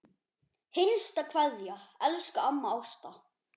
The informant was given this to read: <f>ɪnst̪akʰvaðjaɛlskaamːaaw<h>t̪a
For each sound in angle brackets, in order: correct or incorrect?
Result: incorrect: h, incorrect: s

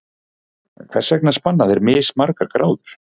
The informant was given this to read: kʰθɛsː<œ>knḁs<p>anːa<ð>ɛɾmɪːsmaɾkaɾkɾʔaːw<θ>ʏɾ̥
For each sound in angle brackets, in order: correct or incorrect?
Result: incorrect: ɛ, correct, correct, incorrect: ð

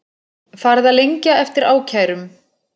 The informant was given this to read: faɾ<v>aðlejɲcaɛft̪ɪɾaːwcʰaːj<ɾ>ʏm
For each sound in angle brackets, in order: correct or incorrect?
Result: incorrect: ð, correct

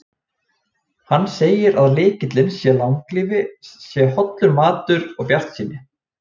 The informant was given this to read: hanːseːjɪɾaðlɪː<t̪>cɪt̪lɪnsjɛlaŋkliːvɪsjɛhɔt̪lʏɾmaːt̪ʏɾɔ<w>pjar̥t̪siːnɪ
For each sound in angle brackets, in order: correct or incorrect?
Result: incorrect: none, incorrect: ɣ

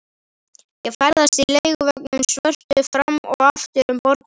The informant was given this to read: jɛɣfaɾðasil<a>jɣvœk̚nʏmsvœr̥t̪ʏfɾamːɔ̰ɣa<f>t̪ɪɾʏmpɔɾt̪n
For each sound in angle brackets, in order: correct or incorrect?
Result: incorrect: e, correct

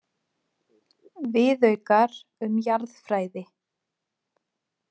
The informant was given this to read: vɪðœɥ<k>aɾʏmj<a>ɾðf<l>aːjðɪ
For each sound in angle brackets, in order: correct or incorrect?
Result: correct, correct, incorrect: ɾ

